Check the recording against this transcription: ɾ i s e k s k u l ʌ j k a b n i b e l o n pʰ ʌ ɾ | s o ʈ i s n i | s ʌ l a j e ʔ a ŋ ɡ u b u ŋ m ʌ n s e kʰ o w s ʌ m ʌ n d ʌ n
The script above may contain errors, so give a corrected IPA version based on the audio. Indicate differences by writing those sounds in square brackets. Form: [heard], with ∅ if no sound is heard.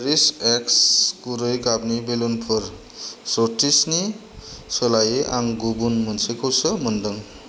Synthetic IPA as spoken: ɾ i s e k s k u [ɾ] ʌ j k a b n i b e l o n pʰ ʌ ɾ | s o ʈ i s n i | s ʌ l a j e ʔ a ŋ ɡ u b u [n] m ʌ n s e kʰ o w s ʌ m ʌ n d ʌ [ŋ]